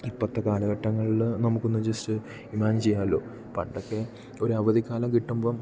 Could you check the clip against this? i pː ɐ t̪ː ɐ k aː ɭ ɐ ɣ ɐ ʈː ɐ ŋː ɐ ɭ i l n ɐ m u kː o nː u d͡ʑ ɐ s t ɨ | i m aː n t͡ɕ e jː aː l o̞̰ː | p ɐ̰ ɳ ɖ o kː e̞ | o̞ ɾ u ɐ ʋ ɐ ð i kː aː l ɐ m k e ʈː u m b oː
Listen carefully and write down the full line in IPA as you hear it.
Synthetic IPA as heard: i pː ɐ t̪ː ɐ k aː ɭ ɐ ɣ ɐ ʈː ɐ ŋː ɐ ɭ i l n ɐ m u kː o nː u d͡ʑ ɐ s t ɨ | i m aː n t͡ɕ e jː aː l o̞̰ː | p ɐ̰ ɳ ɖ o kː e̞ | o̞ ɾ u ɐ ʋ ɐ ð i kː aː l ɐ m k i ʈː u m b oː

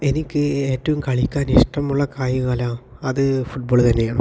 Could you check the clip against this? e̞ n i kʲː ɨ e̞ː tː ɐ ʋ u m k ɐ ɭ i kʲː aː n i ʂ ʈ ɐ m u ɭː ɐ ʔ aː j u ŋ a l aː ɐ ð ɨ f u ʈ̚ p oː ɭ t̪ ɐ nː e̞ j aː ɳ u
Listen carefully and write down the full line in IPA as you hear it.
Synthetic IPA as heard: e̞ n i kʲː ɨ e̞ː tː ɐ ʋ u m k ɐ ɭ i kʲː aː n i ʂ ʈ ɐ m u ɭː ɐ k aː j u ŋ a l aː ɐ ð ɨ f u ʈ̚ b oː ɭ t̪ ɐ nː e̞ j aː ɳ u

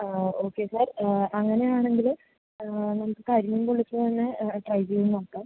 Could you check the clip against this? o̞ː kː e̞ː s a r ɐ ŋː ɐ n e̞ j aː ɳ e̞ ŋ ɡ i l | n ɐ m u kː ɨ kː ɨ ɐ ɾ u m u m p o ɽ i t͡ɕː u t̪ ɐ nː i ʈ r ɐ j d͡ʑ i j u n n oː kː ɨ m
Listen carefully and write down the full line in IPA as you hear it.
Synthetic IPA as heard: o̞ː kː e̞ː s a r ɐ ŋː ɐ n e̞ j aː ɳ e̞ ŋ ɡ i l | n ɐ m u kː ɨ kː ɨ ɐ ɾ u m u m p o ɭ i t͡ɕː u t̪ ɐ nː e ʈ r ɐ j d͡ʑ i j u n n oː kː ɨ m

